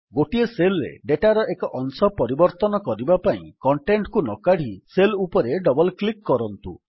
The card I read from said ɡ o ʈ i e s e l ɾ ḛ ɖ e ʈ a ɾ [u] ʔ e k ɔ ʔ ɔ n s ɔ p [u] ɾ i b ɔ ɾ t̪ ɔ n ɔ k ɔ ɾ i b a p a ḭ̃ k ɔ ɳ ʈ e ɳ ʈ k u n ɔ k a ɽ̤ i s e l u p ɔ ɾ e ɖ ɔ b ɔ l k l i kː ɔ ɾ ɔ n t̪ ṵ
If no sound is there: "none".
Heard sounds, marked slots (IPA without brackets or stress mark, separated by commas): ɔ, ɔ